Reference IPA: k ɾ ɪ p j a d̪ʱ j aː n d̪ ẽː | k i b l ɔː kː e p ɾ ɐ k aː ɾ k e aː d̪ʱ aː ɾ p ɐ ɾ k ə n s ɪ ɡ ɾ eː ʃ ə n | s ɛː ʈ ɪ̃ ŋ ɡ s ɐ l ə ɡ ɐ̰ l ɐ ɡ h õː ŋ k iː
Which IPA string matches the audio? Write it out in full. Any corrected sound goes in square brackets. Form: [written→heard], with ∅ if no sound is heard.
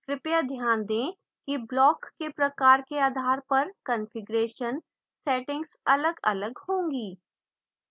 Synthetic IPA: k ɾ ɪ p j a d̪ʱ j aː n d̪ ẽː | k i b l ɔː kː e p ɾ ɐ k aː ɾ k e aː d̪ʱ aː ɾ p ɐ ɾ k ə n [s→f] ɪ ɡ ɾ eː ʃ ə n | s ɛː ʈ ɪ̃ ŋ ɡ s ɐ l ə ɡ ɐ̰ l [ɐ→ə] ɡ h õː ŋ [k→ɡ] iː

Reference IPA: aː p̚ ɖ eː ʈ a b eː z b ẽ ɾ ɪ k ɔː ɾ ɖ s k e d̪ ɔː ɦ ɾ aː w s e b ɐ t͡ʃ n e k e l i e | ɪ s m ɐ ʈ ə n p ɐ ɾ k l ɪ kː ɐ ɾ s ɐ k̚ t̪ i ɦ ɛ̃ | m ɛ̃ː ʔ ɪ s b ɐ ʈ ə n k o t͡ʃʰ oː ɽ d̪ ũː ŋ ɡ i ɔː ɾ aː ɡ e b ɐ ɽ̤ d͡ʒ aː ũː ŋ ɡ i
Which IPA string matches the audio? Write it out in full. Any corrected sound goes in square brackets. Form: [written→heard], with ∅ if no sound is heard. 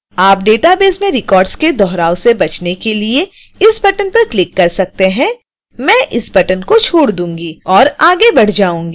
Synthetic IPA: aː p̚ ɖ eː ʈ a b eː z [b→m] ẽ ɾ ɪ k ɔː ɾ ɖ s k e d̪ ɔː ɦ ɾ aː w s e b ɐ t͡ʃ n e k e l i e | ɪ s [m→b] ɐ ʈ ə n p ɐ ɾ k l ɪ kː ɐ ɾ s ɐ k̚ t̪ [i→e] ɦ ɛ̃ | m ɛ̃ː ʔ ɪ s b ɐ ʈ ə n k o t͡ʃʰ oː ɽ d̪ ũː ŋ ɡ i ɔː ɾ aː ɡ e b ɐ ɽ̤ d͡ʒ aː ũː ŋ ɡ i

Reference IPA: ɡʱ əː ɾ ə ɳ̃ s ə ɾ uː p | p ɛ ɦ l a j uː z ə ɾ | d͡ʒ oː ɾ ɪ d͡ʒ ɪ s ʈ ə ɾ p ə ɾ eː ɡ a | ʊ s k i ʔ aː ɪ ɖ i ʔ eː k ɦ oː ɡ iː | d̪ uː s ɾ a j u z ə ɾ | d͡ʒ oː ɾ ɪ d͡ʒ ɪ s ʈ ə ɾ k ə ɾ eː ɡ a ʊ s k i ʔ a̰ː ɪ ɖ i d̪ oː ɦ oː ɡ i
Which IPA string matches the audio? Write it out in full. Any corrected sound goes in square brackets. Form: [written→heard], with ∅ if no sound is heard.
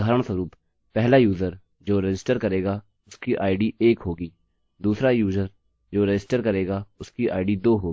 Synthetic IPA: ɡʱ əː ɾ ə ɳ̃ s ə ɾ uː p | p ɛ ɦ l a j uː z ə ɾ | d͡ʒ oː ɾ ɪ d͡ʒ ɪ s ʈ ə ɾ [p→k] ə ɾ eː ɡ a | ʊ s k i ʔ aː ɪ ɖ i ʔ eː k ɦ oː ɡ iː | d̪ uː s ɾ a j [u→uː] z ə ɾ | d͡ʒ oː ɾ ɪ d͡ʒ ɪ s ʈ ə ɾ k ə ɾ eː ɡ a ʊ s k i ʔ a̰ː ɪ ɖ i d̪ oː ɦ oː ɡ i

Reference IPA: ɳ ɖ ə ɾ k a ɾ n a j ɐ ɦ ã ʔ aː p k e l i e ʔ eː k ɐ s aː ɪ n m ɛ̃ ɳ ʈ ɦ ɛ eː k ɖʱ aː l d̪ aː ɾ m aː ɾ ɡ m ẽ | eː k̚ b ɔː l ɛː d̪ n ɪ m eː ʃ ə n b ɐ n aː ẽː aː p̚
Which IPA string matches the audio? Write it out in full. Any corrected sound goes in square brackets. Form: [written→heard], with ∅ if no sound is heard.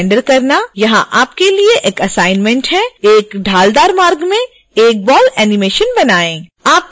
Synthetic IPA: ɳ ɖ ə ɾ k [a→ɐ] ɾ n a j ɐ ɦ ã ʔ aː p k e l i e ʔ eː k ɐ s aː ɪ n m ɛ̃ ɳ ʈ ɦ ɛ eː k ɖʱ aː l d̪ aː ɾ m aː ɾ ɡ m ẽ | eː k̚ b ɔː l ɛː [d̪→∅] n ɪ m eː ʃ ə n b ɐ n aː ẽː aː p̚

